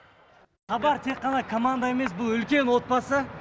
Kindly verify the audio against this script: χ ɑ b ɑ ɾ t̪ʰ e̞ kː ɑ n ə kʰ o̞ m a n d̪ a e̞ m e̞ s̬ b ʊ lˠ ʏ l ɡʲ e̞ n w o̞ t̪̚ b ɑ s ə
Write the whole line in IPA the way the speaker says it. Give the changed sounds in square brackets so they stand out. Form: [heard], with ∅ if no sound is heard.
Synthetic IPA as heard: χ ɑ b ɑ ɾ t̪ʰ e̞ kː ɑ n [ɑ] kʰ o̞ m a n d̪ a e̞ m e̞ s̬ b ʊ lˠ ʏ l [kʲ] e̞ n w o̞ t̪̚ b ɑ s ə